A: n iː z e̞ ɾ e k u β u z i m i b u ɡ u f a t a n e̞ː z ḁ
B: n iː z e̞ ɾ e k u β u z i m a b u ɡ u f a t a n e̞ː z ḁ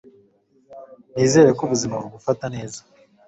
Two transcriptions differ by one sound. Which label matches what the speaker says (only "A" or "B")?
B